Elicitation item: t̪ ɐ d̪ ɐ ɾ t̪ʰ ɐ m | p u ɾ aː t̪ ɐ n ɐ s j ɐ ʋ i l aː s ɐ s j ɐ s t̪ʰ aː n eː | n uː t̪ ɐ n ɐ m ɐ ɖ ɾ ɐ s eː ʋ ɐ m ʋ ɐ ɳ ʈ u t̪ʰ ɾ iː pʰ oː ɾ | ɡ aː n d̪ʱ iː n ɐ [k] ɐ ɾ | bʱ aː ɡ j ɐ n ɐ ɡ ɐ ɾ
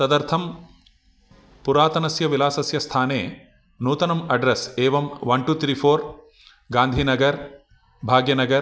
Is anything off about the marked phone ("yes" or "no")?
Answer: yes